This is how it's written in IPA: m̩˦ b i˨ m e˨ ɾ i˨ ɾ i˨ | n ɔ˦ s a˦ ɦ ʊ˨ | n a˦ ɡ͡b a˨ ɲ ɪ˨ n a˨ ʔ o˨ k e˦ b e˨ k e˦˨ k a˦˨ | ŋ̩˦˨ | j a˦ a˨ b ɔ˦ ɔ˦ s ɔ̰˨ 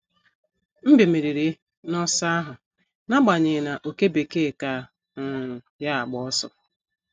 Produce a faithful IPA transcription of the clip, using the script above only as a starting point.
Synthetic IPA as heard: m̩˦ b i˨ m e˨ ɾ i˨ ɾ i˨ | n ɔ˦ s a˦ ɦ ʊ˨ | n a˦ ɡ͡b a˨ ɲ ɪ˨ n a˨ ʔ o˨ k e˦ b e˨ k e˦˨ k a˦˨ | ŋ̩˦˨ | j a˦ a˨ ɡ͡b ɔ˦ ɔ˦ s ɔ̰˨